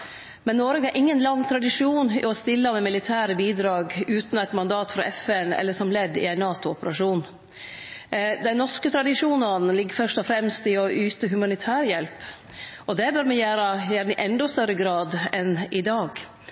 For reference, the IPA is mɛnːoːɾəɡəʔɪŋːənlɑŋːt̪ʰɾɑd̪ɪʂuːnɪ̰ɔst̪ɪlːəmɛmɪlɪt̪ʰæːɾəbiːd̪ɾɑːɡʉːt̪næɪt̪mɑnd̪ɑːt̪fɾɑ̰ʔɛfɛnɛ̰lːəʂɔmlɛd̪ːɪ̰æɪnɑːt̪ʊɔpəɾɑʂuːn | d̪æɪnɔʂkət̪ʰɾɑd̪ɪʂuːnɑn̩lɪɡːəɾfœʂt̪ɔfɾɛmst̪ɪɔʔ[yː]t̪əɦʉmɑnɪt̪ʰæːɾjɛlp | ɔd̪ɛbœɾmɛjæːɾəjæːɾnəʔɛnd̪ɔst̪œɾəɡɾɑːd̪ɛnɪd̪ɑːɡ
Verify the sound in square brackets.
correct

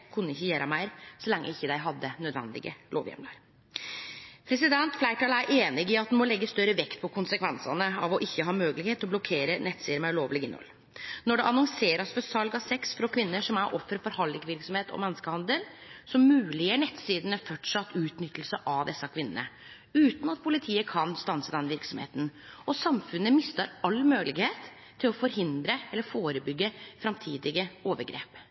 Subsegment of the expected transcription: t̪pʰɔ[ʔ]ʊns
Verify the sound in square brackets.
incorrect: k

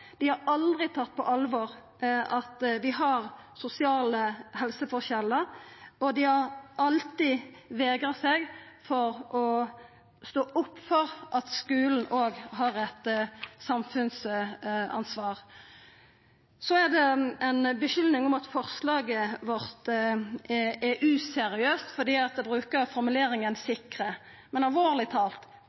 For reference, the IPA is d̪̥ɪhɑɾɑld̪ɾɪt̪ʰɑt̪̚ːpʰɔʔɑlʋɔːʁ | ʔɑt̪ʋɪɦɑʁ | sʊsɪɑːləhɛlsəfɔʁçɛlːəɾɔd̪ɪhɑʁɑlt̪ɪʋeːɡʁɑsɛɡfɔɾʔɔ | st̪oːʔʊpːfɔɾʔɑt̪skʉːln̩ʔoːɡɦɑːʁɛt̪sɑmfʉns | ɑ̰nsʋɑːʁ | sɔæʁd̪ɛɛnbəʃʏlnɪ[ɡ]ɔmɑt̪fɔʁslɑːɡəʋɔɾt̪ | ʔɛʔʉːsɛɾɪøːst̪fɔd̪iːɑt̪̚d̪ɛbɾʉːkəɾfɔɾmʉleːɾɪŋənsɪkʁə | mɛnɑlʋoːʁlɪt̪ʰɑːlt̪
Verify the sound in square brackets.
incorrect: ŋ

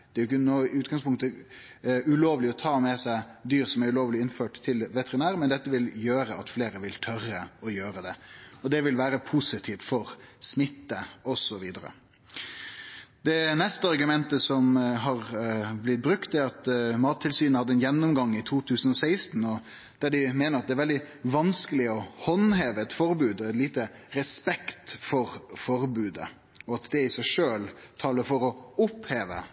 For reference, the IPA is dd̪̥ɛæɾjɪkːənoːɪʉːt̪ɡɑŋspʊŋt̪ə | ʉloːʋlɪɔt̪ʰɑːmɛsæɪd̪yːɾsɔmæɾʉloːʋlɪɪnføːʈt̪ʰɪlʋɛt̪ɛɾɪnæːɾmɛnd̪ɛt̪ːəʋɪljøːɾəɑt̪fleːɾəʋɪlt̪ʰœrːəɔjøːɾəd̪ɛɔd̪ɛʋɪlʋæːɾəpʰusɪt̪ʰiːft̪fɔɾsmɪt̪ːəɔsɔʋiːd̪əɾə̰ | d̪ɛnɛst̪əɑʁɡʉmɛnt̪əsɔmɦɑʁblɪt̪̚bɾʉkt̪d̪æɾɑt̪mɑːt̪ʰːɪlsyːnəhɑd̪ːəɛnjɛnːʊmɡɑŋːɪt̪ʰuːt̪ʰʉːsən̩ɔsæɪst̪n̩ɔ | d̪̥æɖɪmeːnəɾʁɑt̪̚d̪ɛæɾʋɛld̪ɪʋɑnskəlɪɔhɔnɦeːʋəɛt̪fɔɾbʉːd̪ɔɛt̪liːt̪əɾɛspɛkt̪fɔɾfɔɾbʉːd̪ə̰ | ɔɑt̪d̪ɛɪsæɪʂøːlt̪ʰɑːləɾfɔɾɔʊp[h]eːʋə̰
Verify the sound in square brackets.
correct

